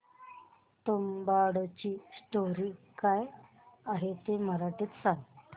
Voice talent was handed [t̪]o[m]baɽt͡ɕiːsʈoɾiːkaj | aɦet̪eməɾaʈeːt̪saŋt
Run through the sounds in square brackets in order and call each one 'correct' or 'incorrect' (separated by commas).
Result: correct, correct